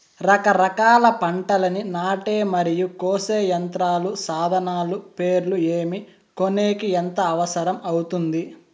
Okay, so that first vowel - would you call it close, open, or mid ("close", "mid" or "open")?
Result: open